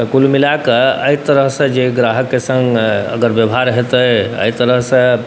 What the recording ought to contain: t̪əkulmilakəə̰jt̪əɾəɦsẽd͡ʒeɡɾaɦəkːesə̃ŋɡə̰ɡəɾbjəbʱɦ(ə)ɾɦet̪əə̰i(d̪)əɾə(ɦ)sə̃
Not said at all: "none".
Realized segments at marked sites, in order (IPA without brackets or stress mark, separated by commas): a, t̪, ɦ